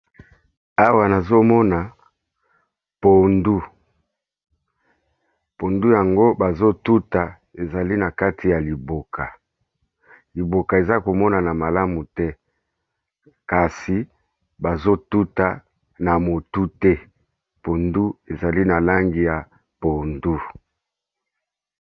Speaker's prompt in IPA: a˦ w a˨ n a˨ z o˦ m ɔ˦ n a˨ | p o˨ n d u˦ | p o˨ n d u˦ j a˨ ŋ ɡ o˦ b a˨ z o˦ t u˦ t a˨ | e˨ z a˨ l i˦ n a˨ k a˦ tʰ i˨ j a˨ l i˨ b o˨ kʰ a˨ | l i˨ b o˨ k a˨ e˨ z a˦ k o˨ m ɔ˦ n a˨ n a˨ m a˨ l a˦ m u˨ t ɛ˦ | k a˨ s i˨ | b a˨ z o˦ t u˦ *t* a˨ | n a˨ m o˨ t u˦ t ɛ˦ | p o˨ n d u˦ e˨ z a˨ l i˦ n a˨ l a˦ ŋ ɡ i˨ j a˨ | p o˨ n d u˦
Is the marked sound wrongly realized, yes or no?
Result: no